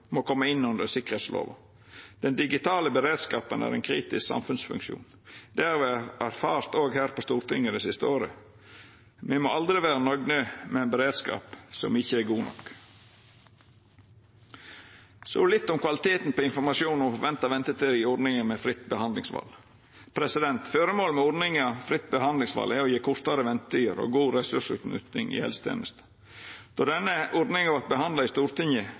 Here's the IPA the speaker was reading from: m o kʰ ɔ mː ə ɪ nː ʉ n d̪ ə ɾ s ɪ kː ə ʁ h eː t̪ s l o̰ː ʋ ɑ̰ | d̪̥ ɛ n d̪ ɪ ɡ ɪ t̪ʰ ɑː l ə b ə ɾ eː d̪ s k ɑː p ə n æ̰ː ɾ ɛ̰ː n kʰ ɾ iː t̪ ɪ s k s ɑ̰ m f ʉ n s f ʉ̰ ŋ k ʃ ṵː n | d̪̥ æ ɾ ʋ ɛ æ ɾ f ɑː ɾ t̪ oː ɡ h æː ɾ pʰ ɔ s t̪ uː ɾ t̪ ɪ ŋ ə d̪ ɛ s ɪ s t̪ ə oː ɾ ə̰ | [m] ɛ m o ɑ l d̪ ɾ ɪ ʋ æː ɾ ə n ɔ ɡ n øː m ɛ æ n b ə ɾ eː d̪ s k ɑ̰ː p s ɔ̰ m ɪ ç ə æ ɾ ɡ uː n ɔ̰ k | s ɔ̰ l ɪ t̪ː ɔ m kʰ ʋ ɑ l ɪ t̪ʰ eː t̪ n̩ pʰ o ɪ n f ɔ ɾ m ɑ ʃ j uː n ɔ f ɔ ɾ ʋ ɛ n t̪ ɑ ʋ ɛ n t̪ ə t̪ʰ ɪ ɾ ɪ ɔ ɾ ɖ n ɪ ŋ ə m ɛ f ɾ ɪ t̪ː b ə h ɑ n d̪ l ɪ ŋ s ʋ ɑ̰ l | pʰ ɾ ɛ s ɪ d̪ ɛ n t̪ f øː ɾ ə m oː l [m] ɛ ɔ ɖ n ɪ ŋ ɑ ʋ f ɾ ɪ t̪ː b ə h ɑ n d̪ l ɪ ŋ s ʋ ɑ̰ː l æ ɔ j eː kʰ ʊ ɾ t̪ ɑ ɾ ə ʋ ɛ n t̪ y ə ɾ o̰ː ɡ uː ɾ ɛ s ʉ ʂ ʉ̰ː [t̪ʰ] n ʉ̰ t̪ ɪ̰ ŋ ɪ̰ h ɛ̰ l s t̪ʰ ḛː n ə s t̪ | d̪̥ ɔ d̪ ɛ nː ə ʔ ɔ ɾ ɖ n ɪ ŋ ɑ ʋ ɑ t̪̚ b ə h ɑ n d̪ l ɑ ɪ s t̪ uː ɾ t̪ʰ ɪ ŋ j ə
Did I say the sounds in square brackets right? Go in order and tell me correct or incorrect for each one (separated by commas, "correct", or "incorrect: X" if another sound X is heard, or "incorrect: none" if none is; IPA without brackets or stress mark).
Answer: correct, correct, incorrect: t̪